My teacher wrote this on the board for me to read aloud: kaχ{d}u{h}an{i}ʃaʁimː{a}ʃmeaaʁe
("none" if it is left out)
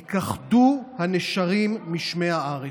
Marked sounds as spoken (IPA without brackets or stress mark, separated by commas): d, h, e, i